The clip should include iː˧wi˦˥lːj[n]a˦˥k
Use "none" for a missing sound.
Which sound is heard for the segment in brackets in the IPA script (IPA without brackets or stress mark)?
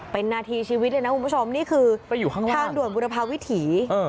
n